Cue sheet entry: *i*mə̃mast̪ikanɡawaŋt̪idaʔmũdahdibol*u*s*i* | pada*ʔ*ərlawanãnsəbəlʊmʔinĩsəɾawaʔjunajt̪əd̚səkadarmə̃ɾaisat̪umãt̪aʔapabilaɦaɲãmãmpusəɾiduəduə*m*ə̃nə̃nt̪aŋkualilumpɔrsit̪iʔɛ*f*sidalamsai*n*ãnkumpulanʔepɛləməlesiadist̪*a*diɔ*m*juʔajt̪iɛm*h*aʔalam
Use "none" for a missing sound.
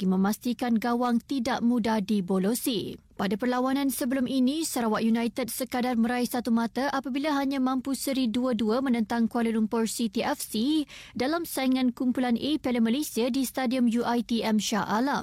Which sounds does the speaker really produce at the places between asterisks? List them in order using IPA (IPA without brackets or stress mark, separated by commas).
i, o, i, p, m, f, ŋ, a, m, ʃ